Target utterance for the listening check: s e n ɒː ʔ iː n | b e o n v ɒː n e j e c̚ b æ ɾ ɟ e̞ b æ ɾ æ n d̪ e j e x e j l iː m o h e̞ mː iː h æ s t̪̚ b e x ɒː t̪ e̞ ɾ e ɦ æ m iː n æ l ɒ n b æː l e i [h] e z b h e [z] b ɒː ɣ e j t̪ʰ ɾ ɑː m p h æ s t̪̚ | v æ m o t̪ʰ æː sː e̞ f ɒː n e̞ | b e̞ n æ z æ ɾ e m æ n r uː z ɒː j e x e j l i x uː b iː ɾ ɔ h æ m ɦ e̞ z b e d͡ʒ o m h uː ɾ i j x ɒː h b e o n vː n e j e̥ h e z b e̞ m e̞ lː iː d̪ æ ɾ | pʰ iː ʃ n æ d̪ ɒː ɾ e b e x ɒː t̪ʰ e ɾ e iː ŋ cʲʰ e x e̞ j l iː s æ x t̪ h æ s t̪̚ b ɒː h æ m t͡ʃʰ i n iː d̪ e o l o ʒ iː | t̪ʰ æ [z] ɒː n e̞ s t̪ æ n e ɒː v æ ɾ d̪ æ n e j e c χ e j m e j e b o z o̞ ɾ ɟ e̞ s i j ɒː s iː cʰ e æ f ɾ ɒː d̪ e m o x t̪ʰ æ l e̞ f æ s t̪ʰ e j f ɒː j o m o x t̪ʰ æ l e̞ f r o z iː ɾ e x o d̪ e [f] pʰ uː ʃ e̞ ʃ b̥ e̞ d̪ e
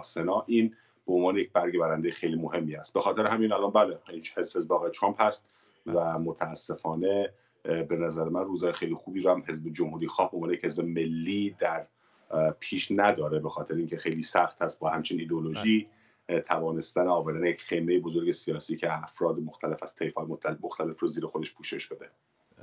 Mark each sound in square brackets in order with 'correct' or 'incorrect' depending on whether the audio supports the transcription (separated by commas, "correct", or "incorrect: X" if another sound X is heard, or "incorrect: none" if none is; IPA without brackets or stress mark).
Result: correct, correct, incorrect: v, incorrect: ʃ